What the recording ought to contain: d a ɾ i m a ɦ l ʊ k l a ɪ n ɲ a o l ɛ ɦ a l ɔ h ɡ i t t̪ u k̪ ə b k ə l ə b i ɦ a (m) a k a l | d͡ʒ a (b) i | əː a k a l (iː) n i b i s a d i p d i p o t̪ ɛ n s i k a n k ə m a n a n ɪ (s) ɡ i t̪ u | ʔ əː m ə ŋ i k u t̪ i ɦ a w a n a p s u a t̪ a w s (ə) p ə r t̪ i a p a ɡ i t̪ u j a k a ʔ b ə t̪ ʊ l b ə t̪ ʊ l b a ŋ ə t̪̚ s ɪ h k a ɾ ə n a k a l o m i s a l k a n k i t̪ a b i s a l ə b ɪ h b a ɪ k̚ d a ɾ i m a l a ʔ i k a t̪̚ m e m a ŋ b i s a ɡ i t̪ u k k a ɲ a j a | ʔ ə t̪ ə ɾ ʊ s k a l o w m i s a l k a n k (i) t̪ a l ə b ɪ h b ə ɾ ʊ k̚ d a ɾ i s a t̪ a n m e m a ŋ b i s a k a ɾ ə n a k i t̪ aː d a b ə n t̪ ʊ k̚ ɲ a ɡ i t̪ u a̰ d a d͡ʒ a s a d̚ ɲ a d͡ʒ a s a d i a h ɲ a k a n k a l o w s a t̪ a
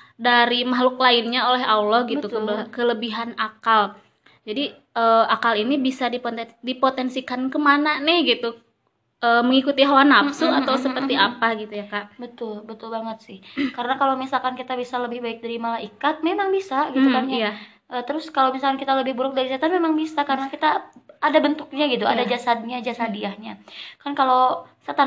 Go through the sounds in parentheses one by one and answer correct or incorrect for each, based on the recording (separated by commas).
incorrect, incorrect, incorrect, incorrect, correct, correct